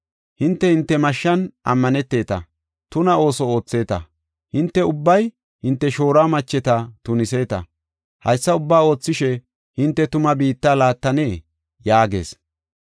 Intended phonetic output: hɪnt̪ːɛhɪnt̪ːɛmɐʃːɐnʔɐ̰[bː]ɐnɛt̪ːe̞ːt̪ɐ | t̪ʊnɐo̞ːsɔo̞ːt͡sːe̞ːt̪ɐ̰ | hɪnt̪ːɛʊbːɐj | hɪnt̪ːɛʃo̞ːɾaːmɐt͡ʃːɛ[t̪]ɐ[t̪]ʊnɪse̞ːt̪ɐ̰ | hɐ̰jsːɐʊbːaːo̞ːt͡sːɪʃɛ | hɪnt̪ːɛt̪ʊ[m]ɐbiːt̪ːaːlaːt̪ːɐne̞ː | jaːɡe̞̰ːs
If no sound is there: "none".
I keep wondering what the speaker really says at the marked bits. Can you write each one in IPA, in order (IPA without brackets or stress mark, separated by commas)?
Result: mː, t̪, t̪, m